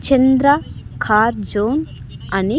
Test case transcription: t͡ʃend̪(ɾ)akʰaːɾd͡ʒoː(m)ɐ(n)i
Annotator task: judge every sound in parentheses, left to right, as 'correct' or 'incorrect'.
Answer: correct, incorrect, correct

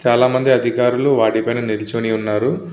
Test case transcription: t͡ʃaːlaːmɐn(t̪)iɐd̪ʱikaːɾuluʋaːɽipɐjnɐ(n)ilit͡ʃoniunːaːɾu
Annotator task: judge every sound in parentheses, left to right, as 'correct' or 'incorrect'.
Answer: incorrect, correct

